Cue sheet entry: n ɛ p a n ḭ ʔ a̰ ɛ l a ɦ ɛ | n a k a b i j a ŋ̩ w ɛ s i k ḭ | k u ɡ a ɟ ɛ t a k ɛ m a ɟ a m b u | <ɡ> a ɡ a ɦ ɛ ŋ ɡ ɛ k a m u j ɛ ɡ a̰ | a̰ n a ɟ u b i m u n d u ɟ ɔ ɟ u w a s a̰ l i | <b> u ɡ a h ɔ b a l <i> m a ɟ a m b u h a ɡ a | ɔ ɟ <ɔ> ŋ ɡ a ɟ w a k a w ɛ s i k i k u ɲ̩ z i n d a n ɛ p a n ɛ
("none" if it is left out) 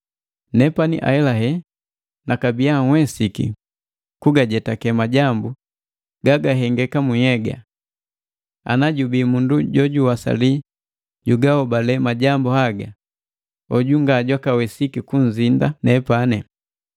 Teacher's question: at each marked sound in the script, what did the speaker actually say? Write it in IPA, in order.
ɡ, ɟ, ɛ, u

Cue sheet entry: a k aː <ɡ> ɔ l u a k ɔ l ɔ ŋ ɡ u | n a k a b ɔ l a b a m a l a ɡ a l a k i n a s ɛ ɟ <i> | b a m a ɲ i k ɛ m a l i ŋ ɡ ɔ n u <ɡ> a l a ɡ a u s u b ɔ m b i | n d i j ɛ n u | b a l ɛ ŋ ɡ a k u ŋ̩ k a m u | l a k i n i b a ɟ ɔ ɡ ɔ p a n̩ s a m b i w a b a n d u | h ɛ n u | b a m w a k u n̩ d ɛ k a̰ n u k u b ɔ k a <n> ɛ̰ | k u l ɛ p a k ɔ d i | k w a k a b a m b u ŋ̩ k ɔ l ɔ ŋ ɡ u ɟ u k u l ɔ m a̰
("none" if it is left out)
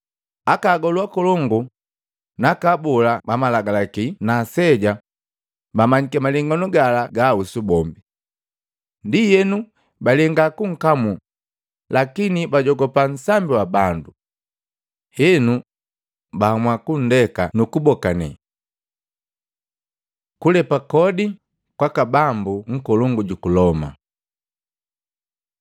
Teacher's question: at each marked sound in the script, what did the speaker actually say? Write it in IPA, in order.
ɡ, a, ɡ, n

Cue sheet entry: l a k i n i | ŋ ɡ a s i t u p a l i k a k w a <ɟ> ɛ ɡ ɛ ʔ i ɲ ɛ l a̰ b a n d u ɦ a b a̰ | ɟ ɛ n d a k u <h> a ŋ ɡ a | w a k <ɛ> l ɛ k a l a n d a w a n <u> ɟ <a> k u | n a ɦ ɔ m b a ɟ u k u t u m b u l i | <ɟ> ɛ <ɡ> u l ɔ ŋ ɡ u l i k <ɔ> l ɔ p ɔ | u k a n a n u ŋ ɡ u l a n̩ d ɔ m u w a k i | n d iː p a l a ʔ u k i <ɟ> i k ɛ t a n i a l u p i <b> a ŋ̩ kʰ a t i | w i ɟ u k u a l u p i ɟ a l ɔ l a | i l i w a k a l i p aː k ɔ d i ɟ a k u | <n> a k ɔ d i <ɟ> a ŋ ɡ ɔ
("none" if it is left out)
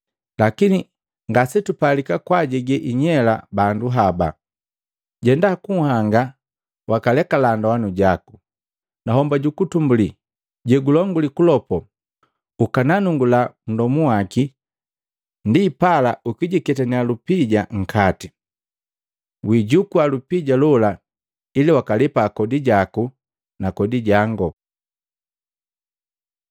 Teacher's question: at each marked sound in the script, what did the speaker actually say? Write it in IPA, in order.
ɟ, h, a, u, a, ɟ, ɡ, u, ɟ, ɟ, n, ɟ

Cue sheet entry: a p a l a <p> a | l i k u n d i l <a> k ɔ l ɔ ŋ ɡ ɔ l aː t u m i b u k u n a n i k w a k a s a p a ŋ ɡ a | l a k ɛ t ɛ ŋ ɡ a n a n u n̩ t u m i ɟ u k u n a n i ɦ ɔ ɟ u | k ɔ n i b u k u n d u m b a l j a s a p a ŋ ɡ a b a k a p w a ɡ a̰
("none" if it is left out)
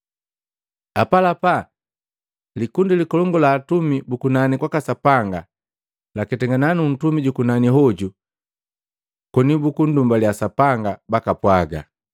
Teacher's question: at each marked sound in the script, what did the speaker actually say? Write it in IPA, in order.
p, i

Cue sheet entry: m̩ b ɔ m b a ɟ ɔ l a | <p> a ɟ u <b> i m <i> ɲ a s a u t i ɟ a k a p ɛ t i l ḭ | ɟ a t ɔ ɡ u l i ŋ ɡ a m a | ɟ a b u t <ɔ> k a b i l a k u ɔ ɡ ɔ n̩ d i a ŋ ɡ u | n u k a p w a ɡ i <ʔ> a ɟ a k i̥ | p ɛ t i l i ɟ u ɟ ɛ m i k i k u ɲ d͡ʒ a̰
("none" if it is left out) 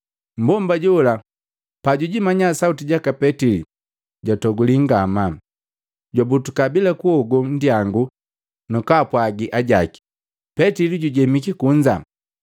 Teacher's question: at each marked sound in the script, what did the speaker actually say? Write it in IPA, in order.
p, ɟ, a, u, ʔ

